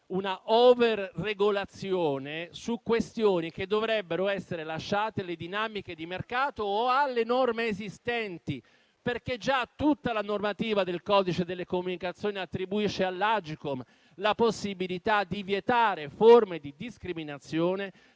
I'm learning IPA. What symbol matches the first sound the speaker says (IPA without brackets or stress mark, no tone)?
u